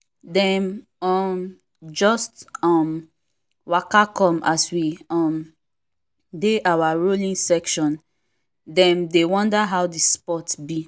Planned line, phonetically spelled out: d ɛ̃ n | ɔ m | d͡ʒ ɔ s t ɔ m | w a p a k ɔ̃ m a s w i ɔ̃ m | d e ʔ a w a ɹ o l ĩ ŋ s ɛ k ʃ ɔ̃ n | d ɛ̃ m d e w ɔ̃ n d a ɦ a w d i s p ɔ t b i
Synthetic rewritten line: d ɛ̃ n | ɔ m | d͡ʒ ɔ s t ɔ m | w a k a k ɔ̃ m a s w i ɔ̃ m | d e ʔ a w a ɹ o l ĩ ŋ s ɛ k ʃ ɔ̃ n | d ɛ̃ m d e w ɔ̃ n d a ɦ a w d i s p ɔ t b i